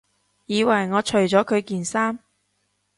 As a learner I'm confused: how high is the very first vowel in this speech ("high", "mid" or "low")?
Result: high